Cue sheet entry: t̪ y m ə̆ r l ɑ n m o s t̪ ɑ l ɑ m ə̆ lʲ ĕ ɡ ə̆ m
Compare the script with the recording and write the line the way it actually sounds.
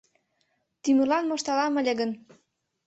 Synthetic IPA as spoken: t̪ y m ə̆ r l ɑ n m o ʃ t̪ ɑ l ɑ m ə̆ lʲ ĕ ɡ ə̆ n